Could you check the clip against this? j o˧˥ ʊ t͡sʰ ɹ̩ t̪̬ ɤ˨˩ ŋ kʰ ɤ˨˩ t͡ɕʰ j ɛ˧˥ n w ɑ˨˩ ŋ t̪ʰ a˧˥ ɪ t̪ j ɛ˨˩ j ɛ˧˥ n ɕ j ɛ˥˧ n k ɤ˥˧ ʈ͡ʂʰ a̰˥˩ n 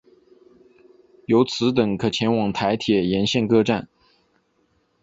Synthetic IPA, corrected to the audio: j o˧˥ ʊ t͡sʰ ɹ̩ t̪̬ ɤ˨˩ ŋ kʰ ɤ˨˩ t͡ɕʰ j ɛ˧˥ n w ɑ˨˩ ŋ t̪ʰ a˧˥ ɪ t̪ʰ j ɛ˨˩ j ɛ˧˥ n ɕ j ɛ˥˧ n k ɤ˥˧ ʈ͡ʂ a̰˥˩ n